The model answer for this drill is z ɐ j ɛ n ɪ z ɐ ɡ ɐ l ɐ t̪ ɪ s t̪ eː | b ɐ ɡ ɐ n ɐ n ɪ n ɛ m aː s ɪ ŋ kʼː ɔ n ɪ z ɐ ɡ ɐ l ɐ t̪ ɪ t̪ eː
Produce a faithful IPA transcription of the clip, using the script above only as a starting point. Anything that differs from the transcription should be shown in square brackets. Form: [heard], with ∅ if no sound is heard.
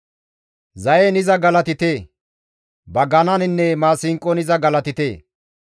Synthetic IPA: z ɐ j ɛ n ɪ z ɐ ɡ ɐ l ɐ t̪ ɪ [∅] t̪ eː | b ɐ ɡ ɐ n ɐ n ɪ [nː] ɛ m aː s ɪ ŋ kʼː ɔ n ɪ z ɐ ɡ ɐ l ɐ t̪ ɪ t̪ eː